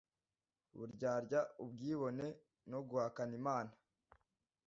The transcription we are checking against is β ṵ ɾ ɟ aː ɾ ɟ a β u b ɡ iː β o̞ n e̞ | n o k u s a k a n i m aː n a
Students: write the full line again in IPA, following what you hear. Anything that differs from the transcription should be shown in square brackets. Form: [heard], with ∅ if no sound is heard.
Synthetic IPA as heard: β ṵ ɾ ɟ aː ɾ ɟ a [∅] u b ɡ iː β o̞ n e̞ | n o [ɡ] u [h] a k a n i m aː n a